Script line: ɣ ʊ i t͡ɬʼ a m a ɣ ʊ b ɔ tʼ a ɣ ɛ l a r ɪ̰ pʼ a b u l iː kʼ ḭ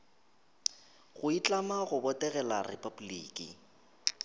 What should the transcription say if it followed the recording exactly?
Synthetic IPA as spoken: ɣ ʊ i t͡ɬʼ a m a ɣ ʊ b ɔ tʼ ɛ ɣ ɛ l a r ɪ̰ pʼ a b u l iː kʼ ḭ